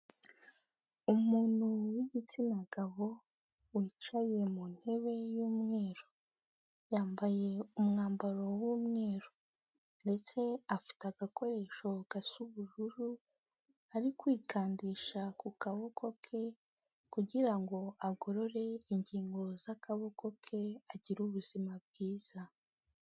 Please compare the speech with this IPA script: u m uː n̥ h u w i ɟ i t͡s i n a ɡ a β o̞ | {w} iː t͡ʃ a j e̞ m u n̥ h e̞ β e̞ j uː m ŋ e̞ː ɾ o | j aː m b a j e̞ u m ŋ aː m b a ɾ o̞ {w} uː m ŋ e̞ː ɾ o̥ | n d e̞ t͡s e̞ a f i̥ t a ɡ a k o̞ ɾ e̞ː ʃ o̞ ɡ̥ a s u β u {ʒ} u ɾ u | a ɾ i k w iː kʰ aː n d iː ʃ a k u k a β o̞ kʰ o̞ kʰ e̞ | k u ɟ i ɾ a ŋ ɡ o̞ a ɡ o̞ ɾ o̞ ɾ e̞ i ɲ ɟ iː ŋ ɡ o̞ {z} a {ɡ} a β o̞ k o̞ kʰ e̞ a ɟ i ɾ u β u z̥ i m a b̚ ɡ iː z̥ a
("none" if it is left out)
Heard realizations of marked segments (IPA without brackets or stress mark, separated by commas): w, w, ʒ, z, k